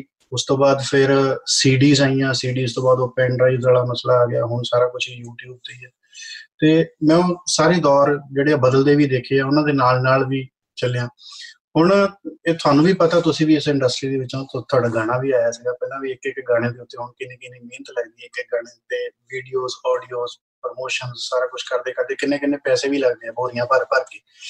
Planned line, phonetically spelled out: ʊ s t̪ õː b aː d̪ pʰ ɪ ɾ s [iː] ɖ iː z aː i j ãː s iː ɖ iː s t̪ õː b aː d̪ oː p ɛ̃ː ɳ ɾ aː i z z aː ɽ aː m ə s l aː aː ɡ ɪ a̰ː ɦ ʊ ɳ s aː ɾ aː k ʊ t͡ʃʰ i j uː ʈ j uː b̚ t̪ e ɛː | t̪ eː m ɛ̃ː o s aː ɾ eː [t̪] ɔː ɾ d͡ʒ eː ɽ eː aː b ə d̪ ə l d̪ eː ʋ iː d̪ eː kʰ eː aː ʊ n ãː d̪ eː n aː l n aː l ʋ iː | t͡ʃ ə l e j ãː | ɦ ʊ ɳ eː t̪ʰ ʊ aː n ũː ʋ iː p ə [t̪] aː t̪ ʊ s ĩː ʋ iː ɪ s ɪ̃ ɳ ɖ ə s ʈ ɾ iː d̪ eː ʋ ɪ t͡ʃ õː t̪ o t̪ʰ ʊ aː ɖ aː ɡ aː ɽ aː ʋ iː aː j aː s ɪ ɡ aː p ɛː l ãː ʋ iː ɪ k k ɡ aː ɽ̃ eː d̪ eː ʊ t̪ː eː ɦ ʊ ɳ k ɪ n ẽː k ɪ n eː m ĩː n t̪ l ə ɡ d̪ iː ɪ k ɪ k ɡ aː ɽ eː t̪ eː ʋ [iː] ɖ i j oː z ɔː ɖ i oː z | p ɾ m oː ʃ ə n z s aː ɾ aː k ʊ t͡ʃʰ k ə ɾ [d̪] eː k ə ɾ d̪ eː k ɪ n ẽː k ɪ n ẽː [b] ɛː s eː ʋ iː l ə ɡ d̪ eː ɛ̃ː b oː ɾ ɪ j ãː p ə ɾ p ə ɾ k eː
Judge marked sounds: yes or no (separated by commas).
yes, no, yes, yes, yes, no